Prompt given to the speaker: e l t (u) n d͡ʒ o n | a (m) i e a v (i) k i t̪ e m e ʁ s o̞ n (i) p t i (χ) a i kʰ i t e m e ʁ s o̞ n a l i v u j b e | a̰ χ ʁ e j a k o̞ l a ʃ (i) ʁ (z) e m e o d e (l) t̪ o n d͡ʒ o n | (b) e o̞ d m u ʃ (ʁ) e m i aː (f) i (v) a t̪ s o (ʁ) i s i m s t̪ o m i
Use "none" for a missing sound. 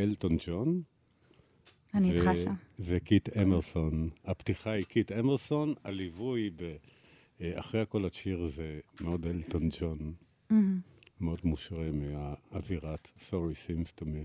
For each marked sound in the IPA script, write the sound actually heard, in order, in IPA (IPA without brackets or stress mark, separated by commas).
o, n, e, a, χ, i, z, l, m, ʁ, v, ʁ, ʁ